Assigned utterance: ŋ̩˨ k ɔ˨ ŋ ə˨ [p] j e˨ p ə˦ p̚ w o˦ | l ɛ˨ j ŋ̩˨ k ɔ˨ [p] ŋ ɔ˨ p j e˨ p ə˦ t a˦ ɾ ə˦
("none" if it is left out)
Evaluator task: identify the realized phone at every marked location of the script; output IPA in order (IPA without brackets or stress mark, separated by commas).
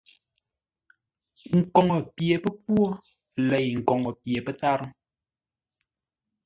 p, none